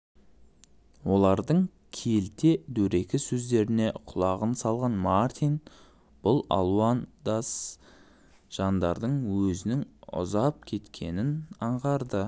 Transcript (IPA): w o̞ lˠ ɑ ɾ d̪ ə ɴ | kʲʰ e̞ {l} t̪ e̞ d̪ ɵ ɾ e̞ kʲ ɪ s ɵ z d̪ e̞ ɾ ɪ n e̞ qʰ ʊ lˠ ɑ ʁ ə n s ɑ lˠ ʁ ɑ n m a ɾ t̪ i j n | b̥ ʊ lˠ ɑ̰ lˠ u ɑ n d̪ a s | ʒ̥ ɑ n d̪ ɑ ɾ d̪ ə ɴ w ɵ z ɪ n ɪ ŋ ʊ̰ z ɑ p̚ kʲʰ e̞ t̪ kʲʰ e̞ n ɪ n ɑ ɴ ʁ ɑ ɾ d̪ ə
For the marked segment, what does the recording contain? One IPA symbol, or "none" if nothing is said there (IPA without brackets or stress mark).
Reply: l